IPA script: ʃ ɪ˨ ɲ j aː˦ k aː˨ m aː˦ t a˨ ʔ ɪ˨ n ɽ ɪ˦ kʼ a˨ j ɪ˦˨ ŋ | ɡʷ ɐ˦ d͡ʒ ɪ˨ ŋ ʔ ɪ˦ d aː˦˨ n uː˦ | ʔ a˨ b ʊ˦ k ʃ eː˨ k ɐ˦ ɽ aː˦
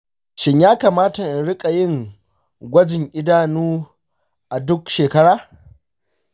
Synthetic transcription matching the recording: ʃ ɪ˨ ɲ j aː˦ k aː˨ m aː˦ t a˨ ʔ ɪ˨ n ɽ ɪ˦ kʼ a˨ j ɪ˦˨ ŋ | ɡʷ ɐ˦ d͡ʒ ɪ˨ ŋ ʔ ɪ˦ d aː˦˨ n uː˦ | ʔ a˨ d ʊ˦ k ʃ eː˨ k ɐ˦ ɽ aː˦